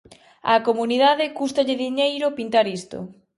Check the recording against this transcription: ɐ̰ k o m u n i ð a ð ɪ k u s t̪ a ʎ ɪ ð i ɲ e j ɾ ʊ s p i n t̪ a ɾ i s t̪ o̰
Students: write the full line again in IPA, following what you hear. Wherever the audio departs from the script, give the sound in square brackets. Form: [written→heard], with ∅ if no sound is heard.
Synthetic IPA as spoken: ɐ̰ k o m u n i ð a ð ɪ k u s t̪ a ʎ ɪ ð i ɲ e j ɾ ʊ [s→∅] p i n t̪ a ɾ i s t̪ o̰